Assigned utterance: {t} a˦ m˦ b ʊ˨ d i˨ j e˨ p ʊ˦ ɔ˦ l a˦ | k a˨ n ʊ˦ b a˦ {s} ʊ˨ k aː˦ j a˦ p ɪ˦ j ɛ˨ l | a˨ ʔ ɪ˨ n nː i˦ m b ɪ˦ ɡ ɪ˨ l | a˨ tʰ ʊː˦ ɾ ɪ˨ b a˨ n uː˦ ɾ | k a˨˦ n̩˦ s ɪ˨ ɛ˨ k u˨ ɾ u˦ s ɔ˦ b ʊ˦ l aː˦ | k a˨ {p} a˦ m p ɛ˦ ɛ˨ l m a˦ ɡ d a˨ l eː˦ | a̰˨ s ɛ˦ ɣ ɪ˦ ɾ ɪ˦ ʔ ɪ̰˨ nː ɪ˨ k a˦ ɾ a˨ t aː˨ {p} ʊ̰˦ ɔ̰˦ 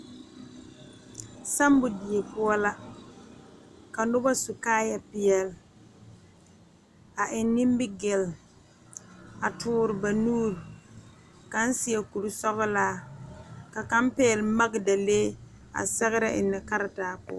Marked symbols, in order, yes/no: no, yes, no, yes

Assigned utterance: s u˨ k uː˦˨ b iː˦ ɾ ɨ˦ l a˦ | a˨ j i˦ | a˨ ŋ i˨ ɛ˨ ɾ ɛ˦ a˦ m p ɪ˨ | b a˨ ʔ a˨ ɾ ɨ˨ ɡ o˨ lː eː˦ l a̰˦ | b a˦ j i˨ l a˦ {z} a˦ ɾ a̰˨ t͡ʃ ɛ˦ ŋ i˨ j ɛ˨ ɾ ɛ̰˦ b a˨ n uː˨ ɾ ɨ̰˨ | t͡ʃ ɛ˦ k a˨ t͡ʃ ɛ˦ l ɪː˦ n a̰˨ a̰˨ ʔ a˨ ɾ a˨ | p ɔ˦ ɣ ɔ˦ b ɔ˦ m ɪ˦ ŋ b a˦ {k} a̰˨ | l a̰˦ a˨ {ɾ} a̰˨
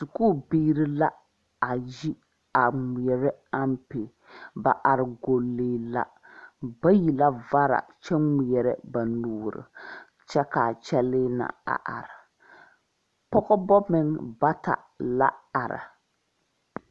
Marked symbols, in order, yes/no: no, no, yes

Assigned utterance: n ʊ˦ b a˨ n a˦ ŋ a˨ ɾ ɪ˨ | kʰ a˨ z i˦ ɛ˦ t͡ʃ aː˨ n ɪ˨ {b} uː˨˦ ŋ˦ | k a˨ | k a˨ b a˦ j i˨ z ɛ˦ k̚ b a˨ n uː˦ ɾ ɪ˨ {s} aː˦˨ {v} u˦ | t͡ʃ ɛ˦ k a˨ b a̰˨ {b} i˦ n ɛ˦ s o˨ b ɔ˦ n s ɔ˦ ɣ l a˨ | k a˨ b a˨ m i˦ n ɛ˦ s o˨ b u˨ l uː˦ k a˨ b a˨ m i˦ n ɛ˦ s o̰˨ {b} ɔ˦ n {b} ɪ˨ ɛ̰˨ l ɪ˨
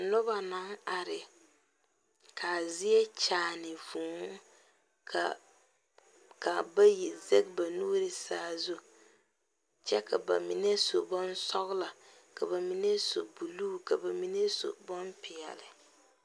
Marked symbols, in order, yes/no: no, yes, no, no, yes, no

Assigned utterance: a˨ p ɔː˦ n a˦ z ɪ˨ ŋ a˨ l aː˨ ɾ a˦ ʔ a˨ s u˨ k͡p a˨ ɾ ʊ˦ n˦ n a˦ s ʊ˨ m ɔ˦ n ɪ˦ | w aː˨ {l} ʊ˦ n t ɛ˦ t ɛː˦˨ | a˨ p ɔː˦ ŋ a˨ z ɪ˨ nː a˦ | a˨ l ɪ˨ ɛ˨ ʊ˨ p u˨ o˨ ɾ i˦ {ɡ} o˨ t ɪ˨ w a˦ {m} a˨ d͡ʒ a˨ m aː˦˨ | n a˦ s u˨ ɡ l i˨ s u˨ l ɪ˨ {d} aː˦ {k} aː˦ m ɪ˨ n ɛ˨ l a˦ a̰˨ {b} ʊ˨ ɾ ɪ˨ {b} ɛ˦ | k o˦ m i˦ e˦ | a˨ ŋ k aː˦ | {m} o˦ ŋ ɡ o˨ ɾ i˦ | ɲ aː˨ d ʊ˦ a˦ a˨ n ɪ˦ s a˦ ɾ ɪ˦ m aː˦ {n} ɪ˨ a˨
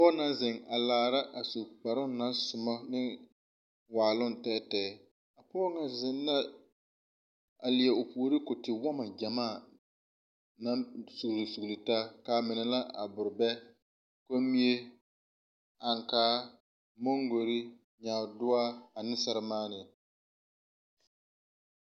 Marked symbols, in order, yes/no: yes, no, yes, no, yes, yes, yes, yes, yes

